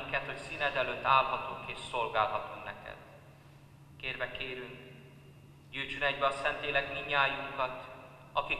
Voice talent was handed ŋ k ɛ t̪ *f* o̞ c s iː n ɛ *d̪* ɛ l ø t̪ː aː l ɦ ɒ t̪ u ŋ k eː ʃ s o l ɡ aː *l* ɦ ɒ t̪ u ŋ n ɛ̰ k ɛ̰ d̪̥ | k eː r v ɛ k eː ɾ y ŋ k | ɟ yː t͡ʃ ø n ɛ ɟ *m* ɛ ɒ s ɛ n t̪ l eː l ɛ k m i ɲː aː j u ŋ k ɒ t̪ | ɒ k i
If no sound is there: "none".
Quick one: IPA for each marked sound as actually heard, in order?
h, d̪, l, b

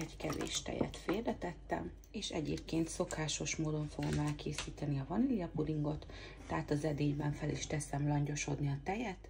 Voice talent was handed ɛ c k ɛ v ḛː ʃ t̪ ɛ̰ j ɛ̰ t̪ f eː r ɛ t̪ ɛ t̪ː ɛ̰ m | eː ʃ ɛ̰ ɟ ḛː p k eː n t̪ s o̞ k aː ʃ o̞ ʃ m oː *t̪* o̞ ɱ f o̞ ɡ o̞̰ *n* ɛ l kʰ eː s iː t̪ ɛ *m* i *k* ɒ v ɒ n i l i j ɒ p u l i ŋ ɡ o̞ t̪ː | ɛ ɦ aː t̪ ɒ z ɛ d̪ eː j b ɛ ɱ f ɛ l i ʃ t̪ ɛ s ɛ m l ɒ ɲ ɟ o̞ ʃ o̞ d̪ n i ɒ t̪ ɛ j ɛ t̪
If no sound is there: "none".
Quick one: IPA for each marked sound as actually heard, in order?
d̪, m, n, none

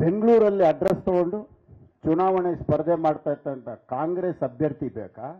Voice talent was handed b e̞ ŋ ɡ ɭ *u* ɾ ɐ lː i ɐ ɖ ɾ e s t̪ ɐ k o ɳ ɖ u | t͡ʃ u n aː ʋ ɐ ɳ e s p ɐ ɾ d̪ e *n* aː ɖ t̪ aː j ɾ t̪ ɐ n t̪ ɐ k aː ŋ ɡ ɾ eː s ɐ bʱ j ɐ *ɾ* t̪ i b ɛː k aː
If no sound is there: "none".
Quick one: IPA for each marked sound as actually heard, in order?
uː, m, ɾ

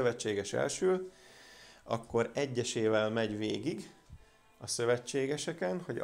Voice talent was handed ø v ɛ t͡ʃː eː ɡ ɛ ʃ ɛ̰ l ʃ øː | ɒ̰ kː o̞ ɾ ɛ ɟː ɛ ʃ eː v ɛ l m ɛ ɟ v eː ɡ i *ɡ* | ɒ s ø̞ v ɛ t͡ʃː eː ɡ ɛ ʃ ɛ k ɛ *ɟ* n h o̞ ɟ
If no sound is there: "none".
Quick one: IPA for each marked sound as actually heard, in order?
ɡ, none

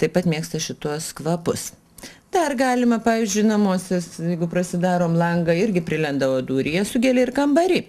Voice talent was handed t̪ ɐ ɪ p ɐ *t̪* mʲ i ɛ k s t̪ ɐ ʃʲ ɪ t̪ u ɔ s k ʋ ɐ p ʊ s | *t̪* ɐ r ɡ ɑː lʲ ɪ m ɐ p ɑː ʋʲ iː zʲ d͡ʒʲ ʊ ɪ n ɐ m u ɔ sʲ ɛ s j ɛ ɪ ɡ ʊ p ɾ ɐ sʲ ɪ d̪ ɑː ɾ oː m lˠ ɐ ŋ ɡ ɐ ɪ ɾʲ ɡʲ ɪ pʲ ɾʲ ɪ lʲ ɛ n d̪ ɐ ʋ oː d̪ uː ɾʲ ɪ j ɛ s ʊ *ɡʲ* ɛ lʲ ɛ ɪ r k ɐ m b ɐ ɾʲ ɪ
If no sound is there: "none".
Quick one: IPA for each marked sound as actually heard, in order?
t̪, d̪, ɡʲ

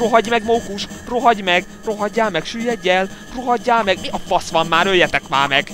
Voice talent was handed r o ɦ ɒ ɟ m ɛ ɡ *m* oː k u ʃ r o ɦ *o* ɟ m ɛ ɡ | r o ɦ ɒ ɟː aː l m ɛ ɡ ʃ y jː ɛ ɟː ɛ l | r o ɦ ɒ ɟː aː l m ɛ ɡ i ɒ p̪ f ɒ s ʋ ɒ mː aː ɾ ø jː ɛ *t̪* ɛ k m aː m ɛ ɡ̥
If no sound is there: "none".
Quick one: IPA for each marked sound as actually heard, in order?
m, ɒ, t̪

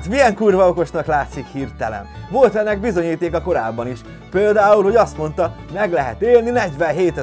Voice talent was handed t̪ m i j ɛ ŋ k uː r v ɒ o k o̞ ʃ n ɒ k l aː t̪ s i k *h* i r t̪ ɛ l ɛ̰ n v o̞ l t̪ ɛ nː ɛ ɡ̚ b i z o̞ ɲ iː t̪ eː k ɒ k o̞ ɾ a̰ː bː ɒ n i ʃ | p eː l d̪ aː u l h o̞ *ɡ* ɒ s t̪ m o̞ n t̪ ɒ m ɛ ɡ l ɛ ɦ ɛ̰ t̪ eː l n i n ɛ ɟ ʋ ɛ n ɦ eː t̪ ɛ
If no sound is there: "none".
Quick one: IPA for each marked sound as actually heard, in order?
h, ɟ

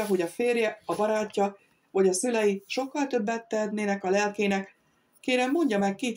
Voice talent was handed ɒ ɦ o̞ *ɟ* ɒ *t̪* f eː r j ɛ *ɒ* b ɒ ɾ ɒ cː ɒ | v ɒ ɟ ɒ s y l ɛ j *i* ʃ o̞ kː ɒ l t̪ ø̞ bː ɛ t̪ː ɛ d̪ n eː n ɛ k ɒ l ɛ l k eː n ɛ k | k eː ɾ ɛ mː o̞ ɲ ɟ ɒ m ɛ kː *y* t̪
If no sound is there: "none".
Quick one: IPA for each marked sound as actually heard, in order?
ɟ, none, ɒ, i, i

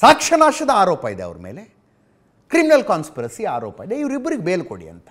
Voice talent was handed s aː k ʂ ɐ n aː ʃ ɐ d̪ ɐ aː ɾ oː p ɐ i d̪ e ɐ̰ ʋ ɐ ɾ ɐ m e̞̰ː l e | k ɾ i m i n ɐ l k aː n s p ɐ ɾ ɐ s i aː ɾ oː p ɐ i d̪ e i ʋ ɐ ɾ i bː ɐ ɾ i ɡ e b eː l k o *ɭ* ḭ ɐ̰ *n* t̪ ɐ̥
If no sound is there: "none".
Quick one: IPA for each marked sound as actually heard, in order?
ɽ, n

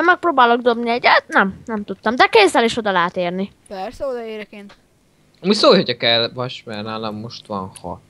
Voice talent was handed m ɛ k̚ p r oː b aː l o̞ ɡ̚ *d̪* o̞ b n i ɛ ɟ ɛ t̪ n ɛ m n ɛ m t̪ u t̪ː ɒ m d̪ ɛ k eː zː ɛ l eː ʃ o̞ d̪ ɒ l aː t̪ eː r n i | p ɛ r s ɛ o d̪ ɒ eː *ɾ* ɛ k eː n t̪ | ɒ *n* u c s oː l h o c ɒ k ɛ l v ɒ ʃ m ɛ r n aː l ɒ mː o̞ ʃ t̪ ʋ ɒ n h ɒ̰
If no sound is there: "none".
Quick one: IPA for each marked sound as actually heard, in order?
d̪, ɾ, m

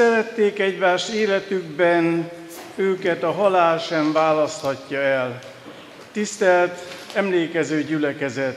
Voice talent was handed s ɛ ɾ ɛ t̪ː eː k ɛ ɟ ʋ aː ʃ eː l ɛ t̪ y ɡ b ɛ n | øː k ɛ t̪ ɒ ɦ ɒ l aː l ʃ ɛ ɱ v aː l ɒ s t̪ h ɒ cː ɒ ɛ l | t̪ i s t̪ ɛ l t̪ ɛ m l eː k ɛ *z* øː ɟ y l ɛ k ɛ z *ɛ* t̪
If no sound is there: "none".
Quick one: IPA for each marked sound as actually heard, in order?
z, ɛ

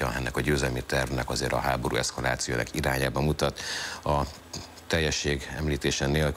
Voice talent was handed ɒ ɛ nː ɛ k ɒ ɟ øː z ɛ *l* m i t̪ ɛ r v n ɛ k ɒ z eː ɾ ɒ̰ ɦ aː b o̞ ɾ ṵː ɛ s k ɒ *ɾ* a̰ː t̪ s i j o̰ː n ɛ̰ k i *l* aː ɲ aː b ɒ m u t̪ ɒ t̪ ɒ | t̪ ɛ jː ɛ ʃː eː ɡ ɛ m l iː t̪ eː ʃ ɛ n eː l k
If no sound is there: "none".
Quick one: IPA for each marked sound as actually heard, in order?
l, l, ɾ

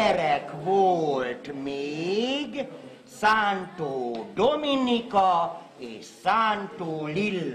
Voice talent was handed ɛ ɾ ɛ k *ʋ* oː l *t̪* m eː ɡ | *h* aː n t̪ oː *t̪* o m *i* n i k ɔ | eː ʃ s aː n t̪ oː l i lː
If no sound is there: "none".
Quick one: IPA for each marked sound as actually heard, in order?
ʋ, t̪, s, d̪, i

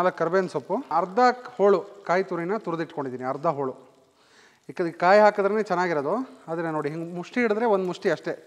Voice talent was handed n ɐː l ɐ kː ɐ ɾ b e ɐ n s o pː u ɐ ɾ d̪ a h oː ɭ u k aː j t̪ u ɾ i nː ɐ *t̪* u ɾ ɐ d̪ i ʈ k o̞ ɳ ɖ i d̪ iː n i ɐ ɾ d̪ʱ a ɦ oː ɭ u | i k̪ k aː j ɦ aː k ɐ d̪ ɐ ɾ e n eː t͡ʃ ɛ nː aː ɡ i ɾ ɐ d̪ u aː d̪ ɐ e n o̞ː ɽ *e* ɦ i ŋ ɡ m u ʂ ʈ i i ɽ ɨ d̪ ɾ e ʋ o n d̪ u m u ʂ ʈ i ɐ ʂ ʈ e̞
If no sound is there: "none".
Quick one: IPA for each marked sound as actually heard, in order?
t̪, i

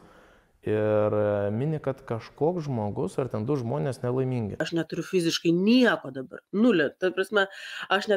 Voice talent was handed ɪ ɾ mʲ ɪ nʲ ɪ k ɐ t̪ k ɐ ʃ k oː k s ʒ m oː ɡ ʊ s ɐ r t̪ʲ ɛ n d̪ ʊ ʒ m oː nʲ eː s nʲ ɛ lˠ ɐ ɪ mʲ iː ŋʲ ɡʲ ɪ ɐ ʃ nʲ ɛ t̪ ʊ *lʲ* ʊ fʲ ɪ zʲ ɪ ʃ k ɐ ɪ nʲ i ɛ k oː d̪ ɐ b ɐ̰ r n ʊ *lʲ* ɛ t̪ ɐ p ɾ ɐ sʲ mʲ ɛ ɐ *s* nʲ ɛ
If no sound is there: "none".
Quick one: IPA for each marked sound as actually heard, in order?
ɾʲ, lʲ, ʃ

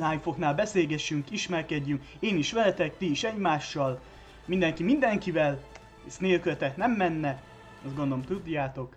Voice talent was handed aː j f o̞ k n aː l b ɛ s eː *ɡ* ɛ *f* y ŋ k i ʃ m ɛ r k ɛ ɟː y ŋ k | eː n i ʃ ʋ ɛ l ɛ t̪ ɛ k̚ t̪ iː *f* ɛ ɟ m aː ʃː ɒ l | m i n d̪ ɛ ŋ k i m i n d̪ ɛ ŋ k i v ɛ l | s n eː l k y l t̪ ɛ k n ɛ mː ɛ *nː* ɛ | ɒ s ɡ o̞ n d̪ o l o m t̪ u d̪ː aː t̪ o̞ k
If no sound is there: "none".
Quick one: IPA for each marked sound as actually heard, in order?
ɡ, ʃ, ʃ, nː

